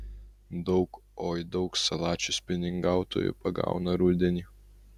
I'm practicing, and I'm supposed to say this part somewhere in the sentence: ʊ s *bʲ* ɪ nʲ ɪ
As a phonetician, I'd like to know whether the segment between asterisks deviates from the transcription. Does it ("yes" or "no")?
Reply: yes